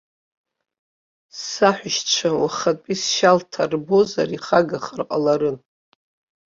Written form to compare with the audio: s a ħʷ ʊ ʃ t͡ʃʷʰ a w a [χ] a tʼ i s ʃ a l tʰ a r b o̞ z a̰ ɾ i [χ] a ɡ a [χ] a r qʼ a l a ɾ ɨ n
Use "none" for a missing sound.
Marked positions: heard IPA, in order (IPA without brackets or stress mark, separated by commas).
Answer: χ, χ, χ